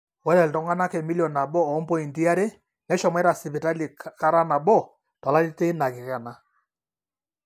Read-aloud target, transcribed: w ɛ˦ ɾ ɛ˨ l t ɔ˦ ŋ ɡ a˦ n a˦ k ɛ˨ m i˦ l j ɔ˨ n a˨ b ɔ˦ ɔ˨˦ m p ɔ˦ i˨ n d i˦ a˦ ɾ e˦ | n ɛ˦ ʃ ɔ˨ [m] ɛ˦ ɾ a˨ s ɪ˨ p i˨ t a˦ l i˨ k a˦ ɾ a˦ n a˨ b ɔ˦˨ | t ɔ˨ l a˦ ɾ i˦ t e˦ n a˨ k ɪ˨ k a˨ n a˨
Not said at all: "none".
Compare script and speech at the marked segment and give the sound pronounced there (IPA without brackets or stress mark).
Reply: m